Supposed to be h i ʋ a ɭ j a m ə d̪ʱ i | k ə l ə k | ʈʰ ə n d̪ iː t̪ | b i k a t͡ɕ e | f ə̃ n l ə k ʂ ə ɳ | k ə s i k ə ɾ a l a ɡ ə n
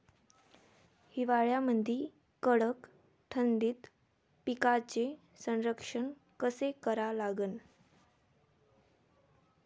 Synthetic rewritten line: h i ʋ a ɭ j a m ə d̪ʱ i | k ə ɽ ə k | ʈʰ ə n d̪ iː t̪ | p i k a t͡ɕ e | s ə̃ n ɾ ə k ʂ ə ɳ | k ə s e k ə ɾ a l a ɡ ə n